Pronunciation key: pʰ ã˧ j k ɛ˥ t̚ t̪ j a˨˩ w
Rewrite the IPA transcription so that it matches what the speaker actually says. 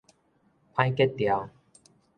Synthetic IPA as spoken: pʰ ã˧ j k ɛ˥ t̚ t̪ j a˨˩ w